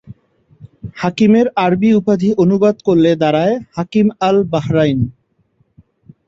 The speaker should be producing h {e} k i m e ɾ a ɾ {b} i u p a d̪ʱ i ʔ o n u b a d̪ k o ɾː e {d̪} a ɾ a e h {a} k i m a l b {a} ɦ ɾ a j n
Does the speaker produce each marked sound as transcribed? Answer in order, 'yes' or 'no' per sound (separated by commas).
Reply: no, yes, yes, yes, yes